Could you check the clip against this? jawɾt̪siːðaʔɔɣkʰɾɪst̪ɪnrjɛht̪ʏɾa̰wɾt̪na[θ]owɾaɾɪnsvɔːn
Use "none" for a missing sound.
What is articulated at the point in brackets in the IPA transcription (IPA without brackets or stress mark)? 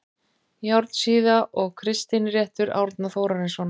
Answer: θ